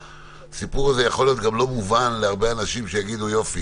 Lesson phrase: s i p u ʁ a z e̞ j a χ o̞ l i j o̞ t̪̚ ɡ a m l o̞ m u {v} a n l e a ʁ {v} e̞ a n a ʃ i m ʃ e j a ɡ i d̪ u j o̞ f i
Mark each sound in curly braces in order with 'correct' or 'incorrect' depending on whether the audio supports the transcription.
correct, incorrect: b

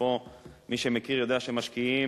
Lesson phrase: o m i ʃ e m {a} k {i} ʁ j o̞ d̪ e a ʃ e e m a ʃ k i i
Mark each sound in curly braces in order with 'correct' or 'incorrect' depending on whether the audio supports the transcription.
incorrect: e, correct

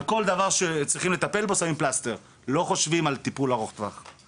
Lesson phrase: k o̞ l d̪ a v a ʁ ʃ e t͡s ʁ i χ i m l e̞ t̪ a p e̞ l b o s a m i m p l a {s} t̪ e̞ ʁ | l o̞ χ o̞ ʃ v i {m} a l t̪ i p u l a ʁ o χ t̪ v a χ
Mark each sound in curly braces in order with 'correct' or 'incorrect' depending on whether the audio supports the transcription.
correct, correct

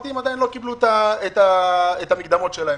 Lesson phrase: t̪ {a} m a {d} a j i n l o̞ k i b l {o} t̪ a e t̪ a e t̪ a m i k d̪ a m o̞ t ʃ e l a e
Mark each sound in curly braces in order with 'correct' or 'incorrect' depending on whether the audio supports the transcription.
incorrect: i, correct, incorrect: u

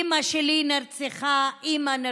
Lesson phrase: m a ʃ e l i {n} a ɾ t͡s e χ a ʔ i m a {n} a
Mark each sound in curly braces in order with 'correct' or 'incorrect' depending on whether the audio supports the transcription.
correct, correct

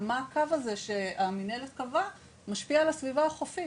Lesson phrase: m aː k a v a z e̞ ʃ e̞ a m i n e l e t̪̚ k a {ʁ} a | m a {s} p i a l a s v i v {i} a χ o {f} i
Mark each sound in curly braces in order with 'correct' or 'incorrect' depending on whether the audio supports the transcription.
incorrect: v, incorrect: ʃ, incorrect: a, correct

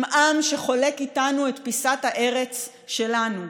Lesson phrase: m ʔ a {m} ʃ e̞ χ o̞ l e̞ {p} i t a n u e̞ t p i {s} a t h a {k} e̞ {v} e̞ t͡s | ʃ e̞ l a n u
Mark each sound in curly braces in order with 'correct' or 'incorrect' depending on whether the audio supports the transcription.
correct, incorrect: k, correct, incorrect: ʔ, incorrect: ʁ

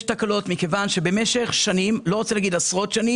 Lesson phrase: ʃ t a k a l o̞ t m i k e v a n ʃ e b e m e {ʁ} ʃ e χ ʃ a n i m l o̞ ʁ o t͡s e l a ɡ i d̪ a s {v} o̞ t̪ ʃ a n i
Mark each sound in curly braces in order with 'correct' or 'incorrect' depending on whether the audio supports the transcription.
incorrect: none, incorrect: ʁ

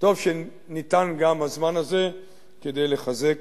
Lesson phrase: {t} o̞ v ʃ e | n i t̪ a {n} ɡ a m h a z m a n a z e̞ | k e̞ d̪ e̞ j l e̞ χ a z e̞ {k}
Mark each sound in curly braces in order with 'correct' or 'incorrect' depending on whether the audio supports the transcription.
correct, correct, correct

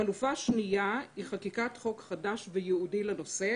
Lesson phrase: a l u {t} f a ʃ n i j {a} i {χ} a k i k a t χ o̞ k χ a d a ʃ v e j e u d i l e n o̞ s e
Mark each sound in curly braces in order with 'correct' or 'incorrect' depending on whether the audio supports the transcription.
incorrect: none, correct, correct

